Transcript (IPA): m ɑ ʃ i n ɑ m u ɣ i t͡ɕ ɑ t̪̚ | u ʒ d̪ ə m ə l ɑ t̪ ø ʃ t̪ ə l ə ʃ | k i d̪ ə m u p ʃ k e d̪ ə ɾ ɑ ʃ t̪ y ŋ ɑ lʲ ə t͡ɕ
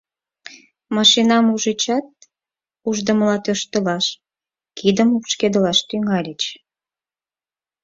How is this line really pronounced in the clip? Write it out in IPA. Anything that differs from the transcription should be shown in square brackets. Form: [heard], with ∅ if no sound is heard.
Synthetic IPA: m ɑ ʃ i n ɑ m u [ʒ] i t͡ɕ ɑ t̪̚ | u ʒ d̪ ə m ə l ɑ t̪ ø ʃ t̪ ə l [ɑ] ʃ | k i d̪ ə m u p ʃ k e d̪ ə [l] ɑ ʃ t̪ y ŋ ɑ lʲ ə t͡ɕ

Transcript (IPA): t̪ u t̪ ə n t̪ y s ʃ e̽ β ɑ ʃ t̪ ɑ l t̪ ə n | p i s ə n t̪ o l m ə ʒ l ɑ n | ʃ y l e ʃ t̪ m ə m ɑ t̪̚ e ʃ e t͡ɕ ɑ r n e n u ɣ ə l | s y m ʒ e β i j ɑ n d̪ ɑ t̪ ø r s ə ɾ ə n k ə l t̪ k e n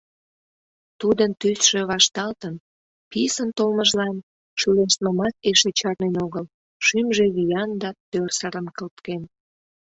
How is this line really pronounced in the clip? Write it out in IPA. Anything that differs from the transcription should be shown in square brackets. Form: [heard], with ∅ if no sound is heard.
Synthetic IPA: t̪ u [d̪] ə n t̪ y s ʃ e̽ β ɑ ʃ t̪ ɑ l t̪ ə n | p i s ə n t̪ o l m ə ʒ l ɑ n | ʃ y l e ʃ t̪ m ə m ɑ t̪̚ e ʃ e t͡ɕ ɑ r n e n [o] ɣ ə l | [ʃ] y m ʒ e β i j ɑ n d̪ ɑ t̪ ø r s ə ɾ ə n k ə l t̪ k e n

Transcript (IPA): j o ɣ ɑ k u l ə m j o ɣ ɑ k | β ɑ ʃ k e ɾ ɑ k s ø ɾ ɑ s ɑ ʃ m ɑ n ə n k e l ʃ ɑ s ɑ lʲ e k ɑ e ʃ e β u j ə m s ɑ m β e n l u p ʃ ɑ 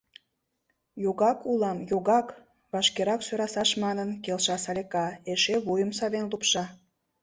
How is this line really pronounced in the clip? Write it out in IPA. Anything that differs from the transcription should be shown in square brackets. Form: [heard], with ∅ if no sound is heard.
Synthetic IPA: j o ɣ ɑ k u l [ɑ] m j o ɣ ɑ k | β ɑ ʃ k e ɾ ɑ k s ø ɾ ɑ s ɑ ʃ m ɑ n ə n k e l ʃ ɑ s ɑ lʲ e k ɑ e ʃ e β u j ə m s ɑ [∅] β e n l u p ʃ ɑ

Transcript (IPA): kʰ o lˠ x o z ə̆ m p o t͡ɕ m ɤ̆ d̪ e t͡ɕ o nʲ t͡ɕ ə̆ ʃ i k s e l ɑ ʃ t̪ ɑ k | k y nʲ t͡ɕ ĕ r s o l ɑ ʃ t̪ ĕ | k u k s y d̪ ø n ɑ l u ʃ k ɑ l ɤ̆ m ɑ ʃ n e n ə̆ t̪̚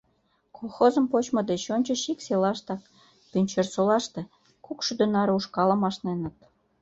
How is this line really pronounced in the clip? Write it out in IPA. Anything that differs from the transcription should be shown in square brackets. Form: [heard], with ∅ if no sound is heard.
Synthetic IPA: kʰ o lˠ x o z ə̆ m p o t͡ɕ m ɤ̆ d̪ e t͡ɕ o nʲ t͡ɕ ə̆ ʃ i k s e l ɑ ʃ t̪ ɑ k | [p] y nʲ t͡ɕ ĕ r s o l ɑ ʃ t̪ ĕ | k u k [ʃ] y d̪ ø n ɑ [ɾ] u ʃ k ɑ l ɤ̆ m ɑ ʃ n e n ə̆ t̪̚

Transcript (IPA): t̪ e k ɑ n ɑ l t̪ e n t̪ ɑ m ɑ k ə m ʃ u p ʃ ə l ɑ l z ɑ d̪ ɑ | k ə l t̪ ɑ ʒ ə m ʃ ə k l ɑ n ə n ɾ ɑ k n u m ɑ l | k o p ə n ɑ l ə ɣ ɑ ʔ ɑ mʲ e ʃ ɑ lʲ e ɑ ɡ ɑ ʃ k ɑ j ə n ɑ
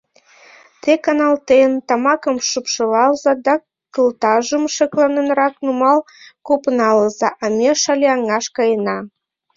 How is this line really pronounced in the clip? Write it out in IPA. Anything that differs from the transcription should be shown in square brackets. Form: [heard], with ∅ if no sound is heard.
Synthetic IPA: t̪ e k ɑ n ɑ l t̪ e n t̪ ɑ m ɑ k ə m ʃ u p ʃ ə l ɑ l z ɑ d̪ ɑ | k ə l t̪ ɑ ʒ ə m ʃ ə k l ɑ n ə n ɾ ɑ k n u m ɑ l | k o p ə n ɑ l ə [z] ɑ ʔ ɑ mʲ e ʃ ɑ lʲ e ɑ [ŋ] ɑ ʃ k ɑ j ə n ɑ

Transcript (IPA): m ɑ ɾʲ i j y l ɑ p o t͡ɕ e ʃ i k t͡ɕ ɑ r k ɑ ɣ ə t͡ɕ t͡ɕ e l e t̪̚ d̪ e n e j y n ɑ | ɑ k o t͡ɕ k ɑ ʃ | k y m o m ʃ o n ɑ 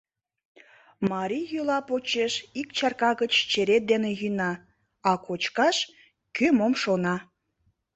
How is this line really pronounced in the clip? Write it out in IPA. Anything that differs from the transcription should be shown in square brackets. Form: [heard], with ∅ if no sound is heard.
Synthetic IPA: m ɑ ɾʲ i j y l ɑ p o t͡ɕ e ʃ i k t͡ɕ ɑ r k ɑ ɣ ə t͡ɕ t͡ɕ e [ɾ] e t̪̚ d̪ e n e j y n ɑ | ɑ k o t͡ɕ k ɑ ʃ | k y m o m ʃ o n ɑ

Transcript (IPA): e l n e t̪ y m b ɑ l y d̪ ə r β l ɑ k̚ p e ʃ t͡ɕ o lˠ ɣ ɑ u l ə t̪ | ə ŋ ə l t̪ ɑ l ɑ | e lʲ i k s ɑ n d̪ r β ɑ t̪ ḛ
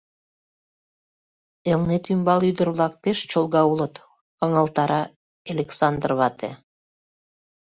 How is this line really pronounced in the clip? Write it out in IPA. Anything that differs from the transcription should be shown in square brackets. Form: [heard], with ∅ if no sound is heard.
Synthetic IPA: e l n e t̪ y m b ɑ l y d̪ ə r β l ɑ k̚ p e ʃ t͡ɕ o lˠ ɣ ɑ u l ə t̪ | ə ŋ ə l t̪ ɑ [ɾ] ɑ | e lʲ [e] k s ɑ n d̪ r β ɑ t̪ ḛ

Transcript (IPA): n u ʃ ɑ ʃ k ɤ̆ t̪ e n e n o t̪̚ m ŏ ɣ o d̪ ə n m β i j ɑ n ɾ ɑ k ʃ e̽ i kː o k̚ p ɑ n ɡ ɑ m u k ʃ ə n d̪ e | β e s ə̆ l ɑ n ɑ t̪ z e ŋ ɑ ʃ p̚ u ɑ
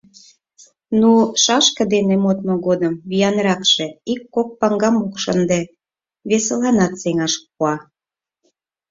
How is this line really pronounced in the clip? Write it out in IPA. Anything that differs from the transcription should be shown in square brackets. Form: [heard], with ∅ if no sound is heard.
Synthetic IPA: n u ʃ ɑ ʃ k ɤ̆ [d̪] e n e [m] o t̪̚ m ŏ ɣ o d̪ ə [∅] m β i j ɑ n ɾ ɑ k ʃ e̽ i kː o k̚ p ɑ [ŋ] ɡ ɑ m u k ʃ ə n d̪ e | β e s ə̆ l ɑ n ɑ t̪ [s] e ŋ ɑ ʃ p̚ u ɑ

